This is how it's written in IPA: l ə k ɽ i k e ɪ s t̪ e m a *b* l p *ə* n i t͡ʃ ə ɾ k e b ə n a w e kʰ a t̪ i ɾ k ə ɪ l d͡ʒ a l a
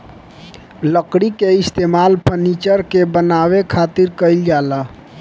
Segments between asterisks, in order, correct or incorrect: incorrect: none, correct

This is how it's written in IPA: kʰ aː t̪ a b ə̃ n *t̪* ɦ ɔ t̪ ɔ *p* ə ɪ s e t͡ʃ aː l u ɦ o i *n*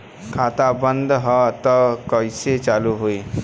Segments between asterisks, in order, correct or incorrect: incorrect: d̪, incorrect: k, incorrect: none

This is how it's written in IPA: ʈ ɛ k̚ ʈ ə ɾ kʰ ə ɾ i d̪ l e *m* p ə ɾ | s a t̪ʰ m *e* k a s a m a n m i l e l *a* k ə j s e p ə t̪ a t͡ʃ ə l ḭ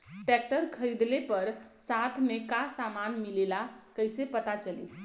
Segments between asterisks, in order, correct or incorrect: incorrect: none, correct, correct

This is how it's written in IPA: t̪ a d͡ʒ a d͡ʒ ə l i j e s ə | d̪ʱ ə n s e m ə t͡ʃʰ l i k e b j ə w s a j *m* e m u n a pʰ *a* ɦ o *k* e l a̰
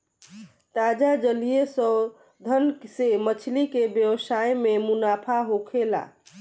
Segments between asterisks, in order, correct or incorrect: correct, correct, incorrect: kʰ

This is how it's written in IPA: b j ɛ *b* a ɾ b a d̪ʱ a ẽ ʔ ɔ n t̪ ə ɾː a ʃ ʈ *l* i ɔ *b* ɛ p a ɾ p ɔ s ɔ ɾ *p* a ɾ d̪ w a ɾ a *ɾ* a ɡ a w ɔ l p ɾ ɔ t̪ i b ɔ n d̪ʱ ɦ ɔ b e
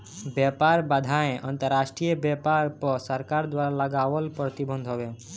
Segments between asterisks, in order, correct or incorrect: incorrect: p, incorrect: ɾ, correct, incorrect: k, incorrect: l

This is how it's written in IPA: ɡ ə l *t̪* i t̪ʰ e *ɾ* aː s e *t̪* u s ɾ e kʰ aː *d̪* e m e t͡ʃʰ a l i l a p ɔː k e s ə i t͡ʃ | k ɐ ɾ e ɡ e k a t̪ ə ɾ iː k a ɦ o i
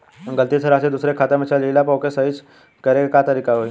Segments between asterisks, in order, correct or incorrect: correct, correct, incorrect: d̪, incorrect: t̪

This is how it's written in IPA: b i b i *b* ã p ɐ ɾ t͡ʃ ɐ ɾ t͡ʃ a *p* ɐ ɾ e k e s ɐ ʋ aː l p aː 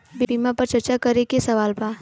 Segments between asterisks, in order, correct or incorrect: incorrect: m, incorrect: k

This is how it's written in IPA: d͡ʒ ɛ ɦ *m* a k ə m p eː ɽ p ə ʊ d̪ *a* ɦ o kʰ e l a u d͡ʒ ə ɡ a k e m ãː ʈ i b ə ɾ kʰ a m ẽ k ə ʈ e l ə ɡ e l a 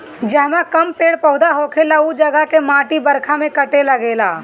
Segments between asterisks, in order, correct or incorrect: correct, correct

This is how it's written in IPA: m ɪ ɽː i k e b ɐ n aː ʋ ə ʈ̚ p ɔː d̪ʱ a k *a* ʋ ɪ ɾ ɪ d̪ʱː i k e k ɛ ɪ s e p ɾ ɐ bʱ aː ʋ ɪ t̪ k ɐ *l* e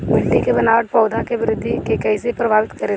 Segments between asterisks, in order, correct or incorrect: incorrect: e, incorrect: ɾ

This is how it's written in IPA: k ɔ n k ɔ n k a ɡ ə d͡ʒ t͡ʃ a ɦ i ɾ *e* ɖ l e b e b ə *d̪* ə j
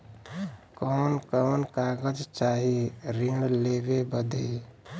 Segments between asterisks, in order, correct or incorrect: incorrect: i, correct

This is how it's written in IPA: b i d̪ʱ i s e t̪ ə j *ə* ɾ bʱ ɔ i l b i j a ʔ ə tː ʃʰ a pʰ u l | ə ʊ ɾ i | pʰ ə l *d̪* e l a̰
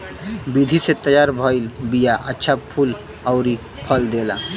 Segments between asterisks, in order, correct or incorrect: incorrect: a, correct

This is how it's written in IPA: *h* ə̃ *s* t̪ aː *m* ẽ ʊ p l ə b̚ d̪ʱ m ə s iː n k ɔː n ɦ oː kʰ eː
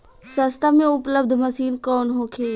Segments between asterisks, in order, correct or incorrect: incorrect: s, correct, correct

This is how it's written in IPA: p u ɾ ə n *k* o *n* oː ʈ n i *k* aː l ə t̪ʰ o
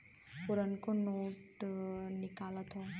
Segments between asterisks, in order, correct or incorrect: correct, correct, correct

